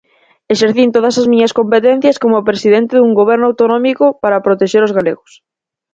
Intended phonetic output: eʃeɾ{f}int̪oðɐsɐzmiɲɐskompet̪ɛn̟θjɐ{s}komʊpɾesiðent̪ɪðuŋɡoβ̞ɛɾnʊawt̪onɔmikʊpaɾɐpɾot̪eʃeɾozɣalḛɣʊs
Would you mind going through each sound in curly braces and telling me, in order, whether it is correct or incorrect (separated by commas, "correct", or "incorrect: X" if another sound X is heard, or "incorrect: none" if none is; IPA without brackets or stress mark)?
incorrect: θ, correct